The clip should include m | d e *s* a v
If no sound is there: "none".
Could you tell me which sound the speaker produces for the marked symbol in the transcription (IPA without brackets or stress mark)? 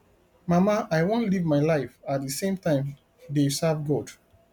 s